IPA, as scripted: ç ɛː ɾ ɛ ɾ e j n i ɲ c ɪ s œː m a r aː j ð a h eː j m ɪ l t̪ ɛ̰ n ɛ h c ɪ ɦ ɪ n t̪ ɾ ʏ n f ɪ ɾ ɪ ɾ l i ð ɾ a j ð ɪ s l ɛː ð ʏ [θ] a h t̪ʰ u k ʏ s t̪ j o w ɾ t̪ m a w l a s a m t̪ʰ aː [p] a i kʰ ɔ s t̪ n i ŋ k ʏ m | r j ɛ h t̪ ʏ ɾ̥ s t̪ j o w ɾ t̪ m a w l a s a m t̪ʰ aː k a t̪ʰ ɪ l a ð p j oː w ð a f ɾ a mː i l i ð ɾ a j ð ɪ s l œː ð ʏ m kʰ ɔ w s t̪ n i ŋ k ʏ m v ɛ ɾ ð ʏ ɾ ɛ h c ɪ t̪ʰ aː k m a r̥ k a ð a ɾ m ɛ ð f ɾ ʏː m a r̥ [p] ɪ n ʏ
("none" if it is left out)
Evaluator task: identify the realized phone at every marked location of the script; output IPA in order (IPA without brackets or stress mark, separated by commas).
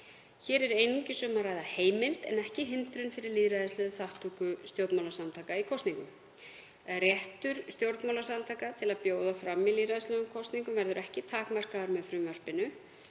θ, k, p